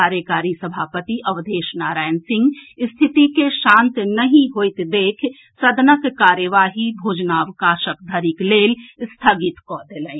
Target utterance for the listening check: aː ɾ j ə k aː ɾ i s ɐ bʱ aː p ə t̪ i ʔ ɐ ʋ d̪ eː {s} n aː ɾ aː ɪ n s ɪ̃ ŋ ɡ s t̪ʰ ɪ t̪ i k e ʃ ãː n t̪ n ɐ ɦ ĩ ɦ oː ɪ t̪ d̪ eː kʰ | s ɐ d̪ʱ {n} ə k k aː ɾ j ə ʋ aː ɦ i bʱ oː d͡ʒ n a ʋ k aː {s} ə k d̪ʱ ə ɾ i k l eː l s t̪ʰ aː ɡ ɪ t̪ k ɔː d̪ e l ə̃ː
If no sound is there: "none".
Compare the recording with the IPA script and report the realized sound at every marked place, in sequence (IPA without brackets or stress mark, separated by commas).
ʃ, n, ʃ